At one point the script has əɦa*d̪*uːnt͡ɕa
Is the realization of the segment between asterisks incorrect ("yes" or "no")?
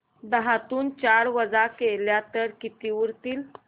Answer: yes